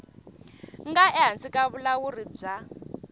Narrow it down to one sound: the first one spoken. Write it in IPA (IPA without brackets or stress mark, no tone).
ŋ